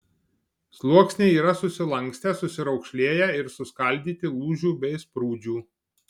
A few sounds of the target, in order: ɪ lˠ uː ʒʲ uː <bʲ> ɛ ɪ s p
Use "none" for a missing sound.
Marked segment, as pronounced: bʲ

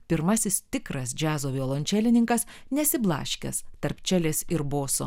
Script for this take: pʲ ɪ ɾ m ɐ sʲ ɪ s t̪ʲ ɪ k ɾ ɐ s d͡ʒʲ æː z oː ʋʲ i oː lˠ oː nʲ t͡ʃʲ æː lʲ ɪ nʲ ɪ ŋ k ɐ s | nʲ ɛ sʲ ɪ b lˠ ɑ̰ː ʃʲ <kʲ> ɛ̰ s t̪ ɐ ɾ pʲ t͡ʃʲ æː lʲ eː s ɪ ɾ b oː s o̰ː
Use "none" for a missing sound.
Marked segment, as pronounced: kʲ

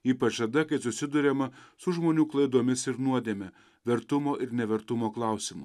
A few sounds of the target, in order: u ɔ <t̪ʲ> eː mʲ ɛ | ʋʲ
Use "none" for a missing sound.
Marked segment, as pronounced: d̪ʲ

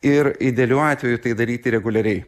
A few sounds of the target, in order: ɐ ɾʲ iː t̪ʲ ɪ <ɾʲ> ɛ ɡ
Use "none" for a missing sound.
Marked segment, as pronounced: ɾʲ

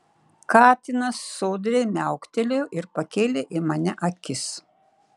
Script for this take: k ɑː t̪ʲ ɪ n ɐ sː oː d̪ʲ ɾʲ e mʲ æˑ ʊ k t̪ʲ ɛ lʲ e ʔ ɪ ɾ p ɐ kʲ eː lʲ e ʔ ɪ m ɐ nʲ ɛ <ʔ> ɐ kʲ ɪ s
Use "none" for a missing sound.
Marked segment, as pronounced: ʔ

